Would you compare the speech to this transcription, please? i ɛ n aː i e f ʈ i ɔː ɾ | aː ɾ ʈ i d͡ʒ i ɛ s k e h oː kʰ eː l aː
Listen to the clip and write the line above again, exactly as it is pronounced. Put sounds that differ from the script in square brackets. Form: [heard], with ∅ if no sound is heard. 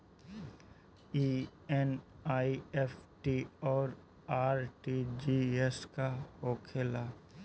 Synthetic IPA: i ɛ n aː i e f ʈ i ɔː ɾ | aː ɾ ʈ i d͡ʒ i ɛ s k [a] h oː kʰ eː l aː